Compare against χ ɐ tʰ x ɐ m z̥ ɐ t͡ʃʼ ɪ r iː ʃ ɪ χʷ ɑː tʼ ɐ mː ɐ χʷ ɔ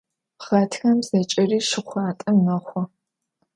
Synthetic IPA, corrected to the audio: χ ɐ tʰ x ɐ m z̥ ɐ t͡ʃʼ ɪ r iː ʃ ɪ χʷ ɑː tʼ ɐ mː ɐ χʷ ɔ